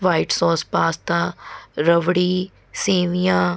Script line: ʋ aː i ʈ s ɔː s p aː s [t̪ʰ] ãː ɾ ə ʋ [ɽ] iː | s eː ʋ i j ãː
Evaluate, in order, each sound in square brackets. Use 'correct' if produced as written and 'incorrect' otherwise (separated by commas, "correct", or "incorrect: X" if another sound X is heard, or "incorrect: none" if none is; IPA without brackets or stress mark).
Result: incorrect: t̪, correct